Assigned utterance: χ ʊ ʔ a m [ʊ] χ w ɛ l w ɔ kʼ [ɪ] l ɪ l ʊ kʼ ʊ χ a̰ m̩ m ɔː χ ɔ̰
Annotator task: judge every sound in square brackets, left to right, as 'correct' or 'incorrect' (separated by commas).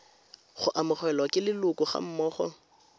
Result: correct, correct